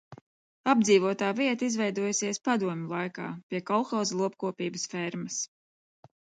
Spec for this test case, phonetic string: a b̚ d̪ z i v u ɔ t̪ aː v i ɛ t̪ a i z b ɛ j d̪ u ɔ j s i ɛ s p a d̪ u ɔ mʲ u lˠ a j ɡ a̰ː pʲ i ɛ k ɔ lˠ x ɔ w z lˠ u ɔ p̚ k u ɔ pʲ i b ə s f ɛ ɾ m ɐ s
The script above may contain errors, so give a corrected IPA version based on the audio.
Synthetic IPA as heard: a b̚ d̪ z iː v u ɔ t̪ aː v i ɛ t̪ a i z v ɛ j d̪ u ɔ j s i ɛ s p a d̪ u ɔ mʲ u lˠ a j k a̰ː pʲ i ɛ k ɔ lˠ x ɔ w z lˠ u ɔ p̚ k u ɔ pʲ iː b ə s f ɛ ɾ m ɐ s